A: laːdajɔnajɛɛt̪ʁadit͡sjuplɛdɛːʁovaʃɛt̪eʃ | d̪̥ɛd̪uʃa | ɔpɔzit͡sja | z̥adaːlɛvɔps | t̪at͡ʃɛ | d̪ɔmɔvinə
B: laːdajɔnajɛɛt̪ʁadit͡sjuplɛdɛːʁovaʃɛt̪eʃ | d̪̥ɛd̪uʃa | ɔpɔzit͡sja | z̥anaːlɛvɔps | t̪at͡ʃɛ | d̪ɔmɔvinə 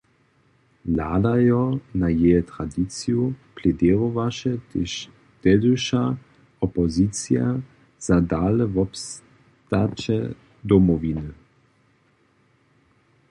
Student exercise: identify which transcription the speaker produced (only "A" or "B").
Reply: A